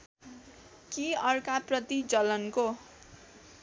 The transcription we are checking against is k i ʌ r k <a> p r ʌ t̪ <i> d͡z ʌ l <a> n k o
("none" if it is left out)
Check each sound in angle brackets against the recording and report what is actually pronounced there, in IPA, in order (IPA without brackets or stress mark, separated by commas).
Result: a, i, ʌ